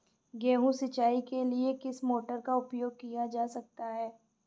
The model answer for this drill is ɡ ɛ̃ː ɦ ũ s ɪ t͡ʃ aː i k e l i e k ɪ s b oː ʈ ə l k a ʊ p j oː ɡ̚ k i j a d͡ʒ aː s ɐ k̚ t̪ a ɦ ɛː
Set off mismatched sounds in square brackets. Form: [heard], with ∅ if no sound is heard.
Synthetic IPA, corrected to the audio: ɡ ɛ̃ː ɦ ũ s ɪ t͡ʃ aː i k e l i e k ɪ s [m] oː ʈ ə [ɾ] k a ʊ p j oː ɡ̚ k i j a d͡ʒ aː s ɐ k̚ t̪ a ɦ ɛː